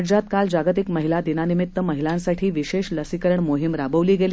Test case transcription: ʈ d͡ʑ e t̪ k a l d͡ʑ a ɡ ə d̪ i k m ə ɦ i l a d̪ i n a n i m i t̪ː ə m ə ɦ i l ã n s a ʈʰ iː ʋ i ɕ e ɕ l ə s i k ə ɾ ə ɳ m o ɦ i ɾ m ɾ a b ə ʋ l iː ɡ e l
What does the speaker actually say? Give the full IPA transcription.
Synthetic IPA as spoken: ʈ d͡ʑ a t̪ k a l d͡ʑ a ɡ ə t̪ i k m ə ɦ i l a d̪ i n a n i m i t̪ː ə m ə ɦ i l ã n s a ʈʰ iː ʋ i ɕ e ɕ l ə s i k ə ɾ ə ɳ m o ɦ i m ɾ a b ə ʋ l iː ɡ e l